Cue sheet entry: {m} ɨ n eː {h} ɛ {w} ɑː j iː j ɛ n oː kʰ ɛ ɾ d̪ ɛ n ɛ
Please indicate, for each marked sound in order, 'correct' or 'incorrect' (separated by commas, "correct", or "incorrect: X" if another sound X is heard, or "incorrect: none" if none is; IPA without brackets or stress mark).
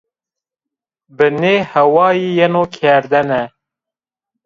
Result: incorrect: b, correct, correct